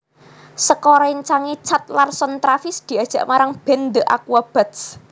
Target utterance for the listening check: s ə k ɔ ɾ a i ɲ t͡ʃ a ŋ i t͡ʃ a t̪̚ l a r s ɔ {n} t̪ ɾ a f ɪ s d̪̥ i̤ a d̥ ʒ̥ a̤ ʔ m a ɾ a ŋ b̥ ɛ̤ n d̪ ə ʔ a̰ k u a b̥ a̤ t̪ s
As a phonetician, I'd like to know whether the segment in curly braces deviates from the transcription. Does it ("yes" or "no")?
no